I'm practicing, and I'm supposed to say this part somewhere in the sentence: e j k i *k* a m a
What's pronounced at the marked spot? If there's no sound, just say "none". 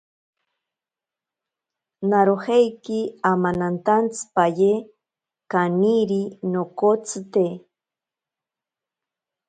none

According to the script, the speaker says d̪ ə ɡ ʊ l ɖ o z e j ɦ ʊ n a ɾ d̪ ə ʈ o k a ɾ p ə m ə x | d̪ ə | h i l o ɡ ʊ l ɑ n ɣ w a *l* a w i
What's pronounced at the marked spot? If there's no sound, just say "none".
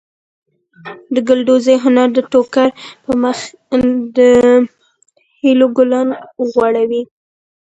ɽ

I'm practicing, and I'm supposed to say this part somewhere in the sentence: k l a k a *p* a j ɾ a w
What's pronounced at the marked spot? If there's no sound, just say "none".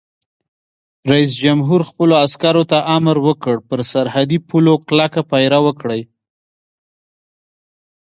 p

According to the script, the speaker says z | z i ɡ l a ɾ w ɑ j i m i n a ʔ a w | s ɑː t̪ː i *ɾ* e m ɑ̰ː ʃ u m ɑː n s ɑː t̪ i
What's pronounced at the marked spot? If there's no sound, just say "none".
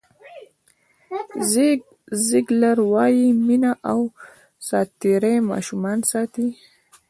ɾ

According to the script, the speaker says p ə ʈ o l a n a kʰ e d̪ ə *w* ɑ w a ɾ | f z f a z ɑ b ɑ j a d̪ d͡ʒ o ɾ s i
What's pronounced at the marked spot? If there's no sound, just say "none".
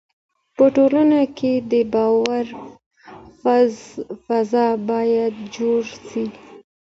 b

